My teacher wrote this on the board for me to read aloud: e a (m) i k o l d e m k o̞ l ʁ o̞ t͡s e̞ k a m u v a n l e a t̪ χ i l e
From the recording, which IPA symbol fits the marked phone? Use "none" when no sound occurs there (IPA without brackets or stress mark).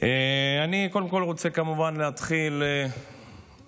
n